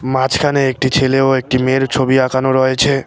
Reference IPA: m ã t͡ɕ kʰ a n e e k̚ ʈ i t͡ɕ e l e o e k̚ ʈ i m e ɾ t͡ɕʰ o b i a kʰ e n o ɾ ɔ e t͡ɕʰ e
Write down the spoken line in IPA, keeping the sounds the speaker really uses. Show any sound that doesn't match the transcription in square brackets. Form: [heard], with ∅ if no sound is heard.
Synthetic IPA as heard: m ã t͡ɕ kʰ a n e e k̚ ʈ i [t͡ɕʰ] e l e o e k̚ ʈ i m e ɾ t͡ɕʰ o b i a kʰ [a] n o ɾ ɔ e t͡ɕʰ e